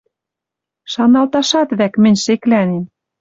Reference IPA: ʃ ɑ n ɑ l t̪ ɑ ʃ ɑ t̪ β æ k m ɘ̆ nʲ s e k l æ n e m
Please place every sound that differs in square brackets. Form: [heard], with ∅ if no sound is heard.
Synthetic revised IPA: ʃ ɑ n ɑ l t̪ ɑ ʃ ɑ t̪ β æ k m ɘ̆ nʲ [ʃ] e k l æ n e m